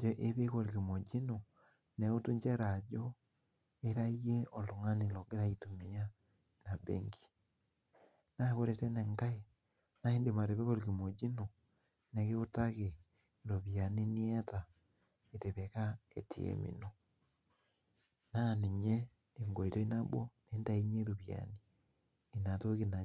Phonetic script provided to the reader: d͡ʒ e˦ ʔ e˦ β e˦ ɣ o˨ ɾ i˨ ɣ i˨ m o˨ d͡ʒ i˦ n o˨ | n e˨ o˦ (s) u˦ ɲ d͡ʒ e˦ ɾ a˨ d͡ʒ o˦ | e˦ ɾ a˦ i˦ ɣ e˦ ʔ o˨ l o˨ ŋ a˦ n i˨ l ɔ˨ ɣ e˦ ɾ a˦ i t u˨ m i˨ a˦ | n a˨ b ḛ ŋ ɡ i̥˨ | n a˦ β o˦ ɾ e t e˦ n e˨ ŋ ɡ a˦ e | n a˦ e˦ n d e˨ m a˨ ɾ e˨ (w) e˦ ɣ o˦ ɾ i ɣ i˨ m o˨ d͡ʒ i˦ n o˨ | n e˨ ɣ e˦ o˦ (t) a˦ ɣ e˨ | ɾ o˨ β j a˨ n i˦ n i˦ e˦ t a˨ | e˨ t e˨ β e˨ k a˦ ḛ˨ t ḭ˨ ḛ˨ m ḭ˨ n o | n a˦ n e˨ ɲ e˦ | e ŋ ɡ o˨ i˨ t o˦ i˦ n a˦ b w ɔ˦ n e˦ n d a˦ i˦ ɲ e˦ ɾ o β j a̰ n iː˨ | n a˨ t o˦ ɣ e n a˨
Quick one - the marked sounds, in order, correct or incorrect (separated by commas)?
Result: incorrect, incorrect, correct